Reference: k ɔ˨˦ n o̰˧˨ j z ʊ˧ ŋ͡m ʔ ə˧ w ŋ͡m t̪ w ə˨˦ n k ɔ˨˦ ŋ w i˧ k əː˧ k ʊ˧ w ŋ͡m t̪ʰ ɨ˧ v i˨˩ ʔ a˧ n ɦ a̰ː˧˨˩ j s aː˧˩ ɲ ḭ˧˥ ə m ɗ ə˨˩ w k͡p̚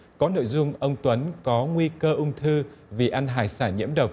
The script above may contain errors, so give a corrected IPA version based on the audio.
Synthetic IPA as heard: k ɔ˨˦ n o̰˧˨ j z ʊ˧ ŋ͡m ʔ ə˧ w ŋ͡m t̪ w ə˨˦ n k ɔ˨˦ ŋ w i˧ k əː˧ ʔ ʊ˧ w ŋ͡m t̪ʰ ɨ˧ v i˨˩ ʔ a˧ n ɦ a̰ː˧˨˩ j s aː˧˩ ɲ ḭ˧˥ ə m ɗ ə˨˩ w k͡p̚